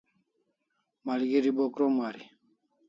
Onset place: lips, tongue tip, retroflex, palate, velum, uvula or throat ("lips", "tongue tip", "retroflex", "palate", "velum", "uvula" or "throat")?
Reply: lips